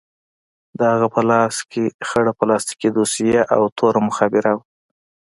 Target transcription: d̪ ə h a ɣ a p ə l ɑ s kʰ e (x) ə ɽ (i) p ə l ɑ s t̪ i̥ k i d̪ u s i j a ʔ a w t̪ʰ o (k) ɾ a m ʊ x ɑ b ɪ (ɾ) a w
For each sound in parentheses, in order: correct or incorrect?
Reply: correct, incorrect, incorrect, correct

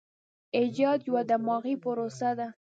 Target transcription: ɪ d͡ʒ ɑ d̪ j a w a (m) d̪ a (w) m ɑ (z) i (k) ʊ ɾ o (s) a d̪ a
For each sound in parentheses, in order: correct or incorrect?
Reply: incorrect, incorrect, incorrect, incorrect, correct

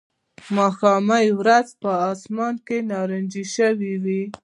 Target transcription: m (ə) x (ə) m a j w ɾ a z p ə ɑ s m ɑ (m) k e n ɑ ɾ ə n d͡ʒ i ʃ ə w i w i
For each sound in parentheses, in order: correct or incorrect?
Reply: incorrect, incorrect, incorrect

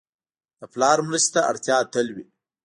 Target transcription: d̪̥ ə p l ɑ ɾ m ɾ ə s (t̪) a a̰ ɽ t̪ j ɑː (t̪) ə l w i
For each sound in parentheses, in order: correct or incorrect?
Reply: correct, correct

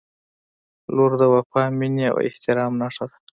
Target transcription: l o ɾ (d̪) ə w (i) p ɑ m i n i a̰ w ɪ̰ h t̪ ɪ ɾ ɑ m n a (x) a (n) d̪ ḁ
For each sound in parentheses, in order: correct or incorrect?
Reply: correct, incorrect, incorrect, incorrect

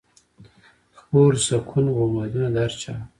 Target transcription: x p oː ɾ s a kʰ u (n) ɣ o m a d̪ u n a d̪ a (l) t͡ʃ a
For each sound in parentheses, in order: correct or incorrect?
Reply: correct, incorrect

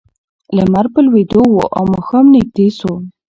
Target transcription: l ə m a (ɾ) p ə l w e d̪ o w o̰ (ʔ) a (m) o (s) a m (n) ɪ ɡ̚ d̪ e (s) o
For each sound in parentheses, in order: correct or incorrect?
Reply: correct, correct, correct, incorrect, correct, correct

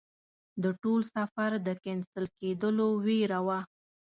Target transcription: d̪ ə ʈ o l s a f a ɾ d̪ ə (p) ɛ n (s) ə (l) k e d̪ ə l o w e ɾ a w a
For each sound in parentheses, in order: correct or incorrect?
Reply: incorrect, correct, correct

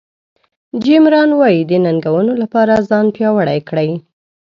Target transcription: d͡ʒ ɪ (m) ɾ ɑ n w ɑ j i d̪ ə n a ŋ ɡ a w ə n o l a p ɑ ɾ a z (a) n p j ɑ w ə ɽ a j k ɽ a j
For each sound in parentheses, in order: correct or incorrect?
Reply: correct, incorrect

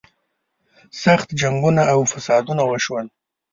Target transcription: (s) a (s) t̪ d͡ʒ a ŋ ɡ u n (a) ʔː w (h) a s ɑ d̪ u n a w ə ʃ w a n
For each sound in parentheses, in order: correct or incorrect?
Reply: correct, incorrect, correct, incorrect

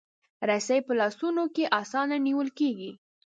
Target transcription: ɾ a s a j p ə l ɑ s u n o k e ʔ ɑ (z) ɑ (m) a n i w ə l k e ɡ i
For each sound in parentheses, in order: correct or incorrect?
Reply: incorrect, incorrect

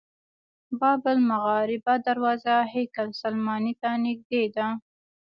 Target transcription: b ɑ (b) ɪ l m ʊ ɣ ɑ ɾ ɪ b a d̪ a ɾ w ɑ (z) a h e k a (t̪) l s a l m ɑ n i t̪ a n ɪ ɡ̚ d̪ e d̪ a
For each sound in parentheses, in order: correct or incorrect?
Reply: correct, correct, incorrect

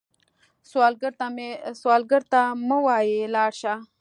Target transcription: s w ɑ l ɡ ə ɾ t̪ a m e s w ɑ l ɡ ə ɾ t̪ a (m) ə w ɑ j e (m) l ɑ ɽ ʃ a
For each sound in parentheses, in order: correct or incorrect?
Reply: correct, incorrect

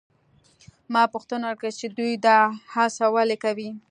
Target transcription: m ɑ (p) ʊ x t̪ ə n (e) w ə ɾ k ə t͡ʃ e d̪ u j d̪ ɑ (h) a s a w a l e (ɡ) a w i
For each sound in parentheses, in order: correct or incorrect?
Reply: correct, incorrect, correct, incorrect

